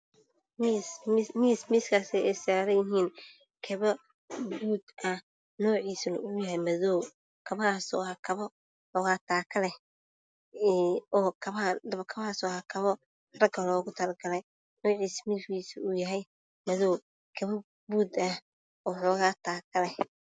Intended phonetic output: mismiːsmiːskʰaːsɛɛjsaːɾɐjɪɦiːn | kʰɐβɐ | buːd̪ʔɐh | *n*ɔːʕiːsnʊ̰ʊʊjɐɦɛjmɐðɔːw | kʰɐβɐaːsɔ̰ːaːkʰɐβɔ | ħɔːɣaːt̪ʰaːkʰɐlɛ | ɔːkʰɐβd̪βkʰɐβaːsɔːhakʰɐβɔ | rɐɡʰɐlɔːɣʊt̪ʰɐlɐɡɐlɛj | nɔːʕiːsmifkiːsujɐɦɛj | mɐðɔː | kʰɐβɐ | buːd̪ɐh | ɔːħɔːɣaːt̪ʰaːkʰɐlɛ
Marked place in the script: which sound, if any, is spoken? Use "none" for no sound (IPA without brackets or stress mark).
n